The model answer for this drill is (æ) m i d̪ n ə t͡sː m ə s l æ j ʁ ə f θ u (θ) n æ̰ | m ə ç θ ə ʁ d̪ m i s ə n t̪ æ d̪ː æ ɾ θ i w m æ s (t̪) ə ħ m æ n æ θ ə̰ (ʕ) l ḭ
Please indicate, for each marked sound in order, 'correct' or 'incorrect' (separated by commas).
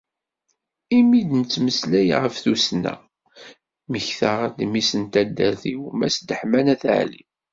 incorrect, incorrect, incorrect, correct